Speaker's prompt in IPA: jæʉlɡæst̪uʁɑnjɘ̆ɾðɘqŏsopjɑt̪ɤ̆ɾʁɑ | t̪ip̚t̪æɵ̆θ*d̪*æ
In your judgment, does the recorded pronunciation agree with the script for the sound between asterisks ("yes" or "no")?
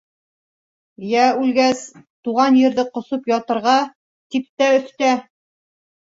no